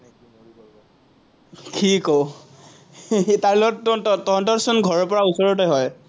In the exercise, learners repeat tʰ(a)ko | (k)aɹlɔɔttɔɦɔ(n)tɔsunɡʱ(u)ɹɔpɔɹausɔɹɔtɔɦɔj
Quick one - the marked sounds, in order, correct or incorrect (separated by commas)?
incorrect, incorrect, correct, incorrect